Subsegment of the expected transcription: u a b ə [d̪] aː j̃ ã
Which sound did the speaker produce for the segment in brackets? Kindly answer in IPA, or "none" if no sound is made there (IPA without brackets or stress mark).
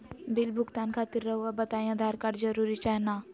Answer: t̪